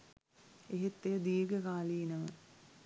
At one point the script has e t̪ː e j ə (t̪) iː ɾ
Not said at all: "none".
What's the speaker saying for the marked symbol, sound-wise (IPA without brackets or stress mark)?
d̪